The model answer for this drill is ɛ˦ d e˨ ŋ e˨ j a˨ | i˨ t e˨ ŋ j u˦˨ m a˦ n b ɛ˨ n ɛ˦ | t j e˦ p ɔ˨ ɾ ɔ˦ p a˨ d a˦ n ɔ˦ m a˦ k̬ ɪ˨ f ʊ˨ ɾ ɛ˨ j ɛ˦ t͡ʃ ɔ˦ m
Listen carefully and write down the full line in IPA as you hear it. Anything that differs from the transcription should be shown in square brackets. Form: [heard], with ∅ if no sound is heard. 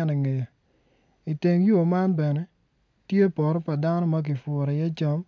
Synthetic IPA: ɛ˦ [n] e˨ ŋ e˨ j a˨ | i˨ t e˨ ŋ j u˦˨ m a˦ n b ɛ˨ n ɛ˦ | t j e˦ p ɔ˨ ɾ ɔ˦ p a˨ d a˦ n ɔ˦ m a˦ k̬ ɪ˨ f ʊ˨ ɾ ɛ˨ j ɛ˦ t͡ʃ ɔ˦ m